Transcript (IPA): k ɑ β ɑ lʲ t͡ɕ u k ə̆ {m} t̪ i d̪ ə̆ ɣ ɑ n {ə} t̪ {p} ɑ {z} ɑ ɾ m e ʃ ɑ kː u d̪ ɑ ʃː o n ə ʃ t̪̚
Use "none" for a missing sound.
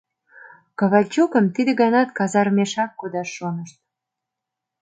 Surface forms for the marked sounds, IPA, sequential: m, ɑ, k, z

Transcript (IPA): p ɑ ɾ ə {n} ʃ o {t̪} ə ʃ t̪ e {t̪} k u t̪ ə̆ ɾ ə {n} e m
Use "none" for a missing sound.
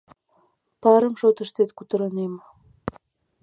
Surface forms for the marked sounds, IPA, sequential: m, t̪, t̪, n

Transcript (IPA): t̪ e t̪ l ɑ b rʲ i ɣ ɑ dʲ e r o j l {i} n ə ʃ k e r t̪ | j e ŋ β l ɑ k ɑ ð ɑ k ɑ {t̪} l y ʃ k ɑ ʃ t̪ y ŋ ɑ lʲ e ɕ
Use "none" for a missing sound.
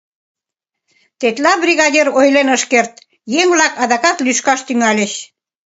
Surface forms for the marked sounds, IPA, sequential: e, t̪

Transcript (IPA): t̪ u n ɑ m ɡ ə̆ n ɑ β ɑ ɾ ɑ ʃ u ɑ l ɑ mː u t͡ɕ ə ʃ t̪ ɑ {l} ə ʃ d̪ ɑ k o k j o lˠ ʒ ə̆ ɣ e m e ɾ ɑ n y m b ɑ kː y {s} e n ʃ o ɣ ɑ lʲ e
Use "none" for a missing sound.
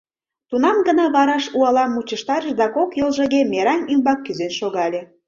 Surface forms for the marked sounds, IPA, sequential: ɾ, z

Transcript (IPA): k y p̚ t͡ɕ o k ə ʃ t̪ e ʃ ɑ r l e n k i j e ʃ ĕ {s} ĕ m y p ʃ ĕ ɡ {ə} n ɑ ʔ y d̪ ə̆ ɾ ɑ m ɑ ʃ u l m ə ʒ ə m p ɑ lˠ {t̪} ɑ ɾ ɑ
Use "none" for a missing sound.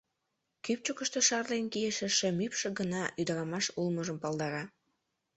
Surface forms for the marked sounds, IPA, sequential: ʃ, ə, d̪

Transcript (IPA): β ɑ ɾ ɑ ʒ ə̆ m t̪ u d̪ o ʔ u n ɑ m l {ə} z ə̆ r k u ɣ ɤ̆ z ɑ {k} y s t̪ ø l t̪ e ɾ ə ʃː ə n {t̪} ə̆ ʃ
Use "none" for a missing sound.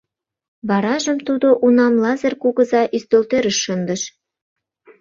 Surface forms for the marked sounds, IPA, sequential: ɑ, ʔ, d̪

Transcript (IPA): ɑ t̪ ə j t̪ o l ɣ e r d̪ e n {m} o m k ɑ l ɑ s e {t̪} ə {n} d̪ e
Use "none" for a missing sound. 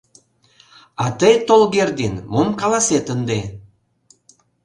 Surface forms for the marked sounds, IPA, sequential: m, t̪, n

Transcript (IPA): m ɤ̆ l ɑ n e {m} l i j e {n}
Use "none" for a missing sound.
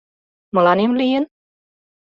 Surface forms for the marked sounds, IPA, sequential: m, n

